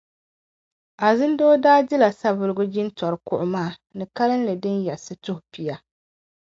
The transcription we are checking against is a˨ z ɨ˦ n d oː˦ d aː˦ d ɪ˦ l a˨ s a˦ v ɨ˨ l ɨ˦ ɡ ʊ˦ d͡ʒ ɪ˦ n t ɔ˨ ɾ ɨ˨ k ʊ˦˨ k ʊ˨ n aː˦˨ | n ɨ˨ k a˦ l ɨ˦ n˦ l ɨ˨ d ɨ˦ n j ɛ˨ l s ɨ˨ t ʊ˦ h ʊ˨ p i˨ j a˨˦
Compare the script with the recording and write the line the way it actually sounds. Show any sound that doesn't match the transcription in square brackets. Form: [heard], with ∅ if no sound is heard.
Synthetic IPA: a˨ z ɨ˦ n d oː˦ d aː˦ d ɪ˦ l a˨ s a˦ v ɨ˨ l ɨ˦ ɡ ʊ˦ d͡ʒ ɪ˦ n t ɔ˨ ɾ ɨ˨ k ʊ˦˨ [ʔ] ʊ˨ [m] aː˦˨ | n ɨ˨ k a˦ l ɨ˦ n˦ l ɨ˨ d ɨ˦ n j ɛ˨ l s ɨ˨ t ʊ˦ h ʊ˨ p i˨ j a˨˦